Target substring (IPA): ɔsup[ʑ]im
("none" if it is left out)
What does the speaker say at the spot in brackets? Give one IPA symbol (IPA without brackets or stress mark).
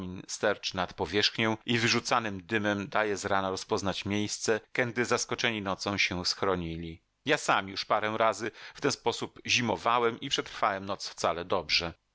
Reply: ʑ